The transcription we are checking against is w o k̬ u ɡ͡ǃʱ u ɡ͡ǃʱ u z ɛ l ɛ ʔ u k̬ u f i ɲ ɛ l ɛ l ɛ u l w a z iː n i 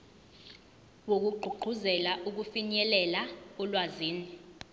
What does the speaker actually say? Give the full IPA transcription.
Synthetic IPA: w o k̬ u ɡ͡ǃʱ u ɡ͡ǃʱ u z ɛ l a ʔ u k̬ u f i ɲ ɛ l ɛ l a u l w a z iː n i